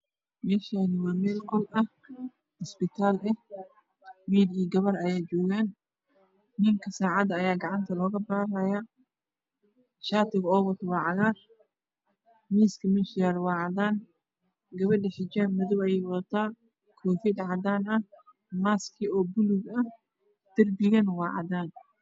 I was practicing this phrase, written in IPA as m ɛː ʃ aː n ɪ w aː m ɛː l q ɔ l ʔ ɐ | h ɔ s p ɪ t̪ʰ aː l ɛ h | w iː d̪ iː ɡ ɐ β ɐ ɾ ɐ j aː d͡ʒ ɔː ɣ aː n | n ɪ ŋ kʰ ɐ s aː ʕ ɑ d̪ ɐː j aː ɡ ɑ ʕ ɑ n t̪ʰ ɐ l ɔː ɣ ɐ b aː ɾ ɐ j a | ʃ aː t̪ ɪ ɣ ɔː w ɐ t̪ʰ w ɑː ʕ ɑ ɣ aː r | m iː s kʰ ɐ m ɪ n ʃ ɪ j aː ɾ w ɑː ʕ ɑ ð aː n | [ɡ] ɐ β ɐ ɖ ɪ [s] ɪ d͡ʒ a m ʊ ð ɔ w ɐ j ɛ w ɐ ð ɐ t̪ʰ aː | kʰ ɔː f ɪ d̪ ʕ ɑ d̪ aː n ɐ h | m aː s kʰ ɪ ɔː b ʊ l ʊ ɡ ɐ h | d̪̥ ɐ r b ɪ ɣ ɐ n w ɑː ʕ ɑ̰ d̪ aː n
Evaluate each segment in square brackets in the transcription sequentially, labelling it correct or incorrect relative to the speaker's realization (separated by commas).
correct, incorrect